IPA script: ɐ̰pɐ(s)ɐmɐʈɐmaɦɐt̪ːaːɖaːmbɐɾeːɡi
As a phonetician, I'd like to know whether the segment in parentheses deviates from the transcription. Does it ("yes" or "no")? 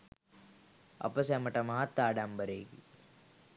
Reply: no